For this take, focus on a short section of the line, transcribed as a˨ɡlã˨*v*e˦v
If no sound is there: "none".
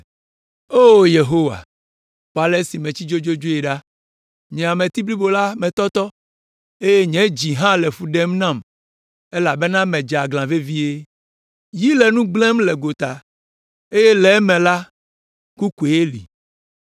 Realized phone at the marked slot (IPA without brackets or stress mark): v